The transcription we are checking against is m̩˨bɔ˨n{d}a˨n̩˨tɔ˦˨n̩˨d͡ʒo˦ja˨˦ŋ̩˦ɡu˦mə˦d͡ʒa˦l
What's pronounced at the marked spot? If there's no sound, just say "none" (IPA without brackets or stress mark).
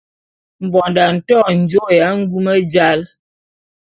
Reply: d